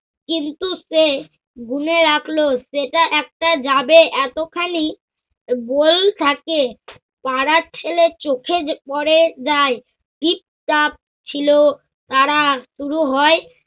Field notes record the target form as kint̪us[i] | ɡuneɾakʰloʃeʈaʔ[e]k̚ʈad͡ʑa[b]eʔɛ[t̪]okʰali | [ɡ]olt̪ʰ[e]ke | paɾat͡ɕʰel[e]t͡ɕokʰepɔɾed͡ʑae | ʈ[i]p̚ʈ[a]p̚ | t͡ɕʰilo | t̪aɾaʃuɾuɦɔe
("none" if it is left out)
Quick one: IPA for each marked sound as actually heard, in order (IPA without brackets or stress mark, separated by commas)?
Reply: e, ɛ, b, t̪, b, a, e, i, a